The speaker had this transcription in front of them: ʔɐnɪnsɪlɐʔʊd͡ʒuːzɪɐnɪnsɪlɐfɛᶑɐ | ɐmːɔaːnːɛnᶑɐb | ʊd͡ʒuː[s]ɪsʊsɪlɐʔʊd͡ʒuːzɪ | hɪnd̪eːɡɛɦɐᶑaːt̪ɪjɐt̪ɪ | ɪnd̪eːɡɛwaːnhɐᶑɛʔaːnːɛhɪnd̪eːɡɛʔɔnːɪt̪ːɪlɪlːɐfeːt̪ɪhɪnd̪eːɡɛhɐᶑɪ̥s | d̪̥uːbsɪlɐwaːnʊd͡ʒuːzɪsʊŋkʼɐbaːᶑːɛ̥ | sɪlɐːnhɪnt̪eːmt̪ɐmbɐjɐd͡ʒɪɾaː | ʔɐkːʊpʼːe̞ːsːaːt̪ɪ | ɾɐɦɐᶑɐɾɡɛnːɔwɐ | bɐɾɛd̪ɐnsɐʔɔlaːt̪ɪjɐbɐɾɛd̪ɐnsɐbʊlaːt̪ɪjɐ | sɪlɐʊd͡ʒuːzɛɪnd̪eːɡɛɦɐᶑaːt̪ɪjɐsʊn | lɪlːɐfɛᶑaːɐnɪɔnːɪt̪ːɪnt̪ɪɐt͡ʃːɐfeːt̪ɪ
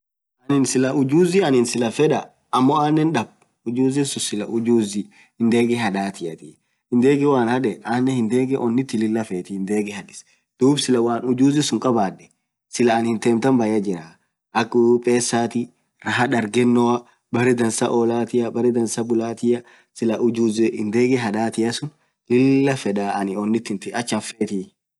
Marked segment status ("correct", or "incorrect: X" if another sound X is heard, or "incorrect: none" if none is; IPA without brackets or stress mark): incorrect: z